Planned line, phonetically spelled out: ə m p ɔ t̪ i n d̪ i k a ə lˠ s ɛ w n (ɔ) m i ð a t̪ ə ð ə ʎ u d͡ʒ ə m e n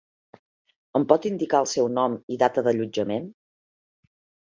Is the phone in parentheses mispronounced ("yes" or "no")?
no